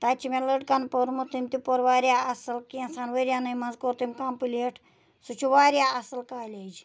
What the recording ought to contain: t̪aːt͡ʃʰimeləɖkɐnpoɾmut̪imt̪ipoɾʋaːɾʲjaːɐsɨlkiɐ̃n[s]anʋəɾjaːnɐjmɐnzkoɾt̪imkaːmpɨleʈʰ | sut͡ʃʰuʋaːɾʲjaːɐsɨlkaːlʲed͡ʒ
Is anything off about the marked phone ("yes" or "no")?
no